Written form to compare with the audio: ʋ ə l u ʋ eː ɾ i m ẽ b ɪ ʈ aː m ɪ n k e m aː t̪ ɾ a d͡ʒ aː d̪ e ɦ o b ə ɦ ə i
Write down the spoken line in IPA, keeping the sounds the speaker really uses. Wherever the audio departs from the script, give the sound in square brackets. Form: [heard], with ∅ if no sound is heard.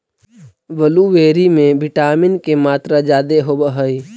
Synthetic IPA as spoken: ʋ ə l u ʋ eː ɾ i m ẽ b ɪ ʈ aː m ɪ n k e m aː t̪ ɾ a d͡ʒ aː d̪ e ɦ o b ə ɦ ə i